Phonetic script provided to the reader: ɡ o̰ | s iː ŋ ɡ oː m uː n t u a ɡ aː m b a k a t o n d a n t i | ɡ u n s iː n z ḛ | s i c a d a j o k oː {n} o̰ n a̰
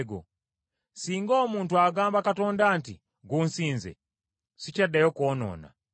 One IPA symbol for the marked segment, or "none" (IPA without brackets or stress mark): n